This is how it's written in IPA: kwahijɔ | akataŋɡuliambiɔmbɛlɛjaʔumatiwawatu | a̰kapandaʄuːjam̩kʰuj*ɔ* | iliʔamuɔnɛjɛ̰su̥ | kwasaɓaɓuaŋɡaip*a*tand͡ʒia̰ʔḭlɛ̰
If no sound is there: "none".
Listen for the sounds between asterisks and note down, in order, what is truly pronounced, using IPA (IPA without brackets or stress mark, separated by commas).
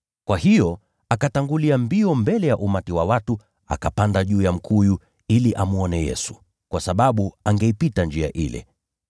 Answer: u, i